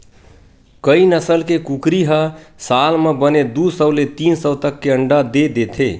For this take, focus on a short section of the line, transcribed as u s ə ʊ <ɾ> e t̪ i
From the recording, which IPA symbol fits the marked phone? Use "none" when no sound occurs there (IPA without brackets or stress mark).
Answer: l